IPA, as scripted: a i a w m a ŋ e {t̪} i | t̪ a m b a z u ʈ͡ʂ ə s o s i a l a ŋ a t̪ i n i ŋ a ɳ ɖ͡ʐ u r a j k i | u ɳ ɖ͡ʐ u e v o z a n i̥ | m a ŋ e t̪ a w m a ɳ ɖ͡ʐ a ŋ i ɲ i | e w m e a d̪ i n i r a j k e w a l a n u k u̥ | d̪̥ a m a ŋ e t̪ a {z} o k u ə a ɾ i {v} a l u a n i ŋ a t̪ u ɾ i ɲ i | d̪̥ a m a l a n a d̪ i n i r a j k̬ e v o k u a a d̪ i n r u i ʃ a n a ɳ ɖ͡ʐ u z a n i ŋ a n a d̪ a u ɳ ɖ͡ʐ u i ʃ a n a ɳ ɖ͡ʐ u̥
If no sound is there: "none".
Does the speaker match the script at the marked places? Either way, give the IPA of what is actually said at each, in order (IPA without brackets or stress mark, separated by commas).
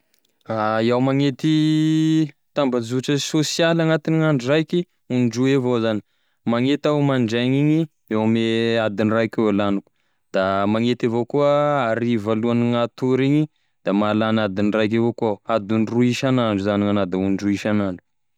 t̪, v, v